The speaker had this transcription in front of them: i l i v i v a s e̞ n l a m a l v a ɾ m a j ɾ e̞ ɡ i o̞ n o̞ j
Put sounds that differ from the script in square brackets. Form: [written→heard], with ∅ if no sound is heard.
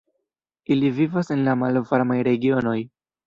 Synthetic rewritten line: i l i v i v a s e̞ n l a m a l v a ɾ m a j ɾ e̞ ɡ i o̞ n o̞ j